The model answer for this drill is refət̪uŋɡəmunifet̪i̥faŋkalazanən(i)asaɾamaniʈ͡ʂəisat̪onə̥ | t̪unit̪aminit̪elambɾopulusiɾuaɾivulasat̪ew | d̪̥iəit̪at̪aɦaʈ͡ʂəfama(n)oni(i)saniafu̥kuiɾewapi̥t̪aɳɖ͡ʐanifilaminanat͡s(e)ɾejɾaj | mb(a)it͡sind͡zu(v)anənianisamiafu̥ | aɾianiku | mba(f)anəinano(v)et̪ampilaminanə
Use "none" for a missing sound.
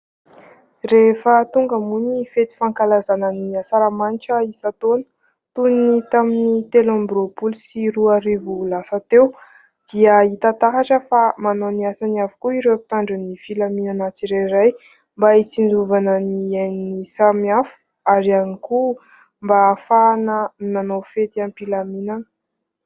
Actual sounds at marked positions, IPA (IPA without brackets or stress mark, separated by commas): i, n, a, i, a, v, f, f